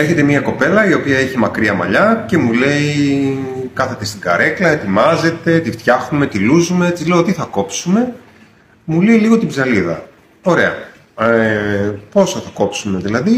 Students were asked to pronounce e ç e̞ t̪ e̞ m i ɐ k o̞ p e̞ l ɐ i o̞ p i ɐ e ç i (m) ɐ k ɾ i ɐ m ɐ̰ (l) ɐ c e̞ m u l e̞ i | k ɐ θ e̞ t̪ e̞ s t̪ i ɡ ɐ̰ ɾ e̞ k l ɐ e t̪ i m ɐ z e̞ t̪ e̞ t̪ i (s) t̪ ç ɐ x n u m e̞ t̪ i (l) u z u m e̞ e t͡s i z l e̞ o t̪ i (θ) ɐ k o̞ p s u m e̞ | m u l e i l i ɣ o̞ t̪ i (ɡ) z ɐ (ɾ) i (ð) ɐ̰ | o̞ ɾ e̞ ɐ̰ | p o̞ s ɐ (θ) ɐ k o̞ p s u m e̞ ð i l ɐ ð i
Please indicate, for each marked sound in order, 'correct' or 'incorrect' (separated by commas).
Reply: correct, incorrect, incorrect, correct, correct, incorrect, incorrect, correct, correct